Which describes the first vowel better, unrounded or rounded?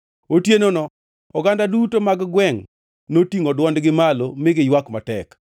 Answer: rounded